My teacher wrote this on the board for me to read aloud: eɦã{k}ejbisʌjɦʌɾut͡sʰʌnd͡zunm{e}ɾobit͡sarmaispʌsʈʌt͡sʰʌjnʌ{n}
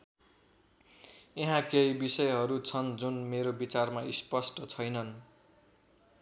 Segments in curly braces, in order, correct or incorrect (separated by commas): correct, correct, correct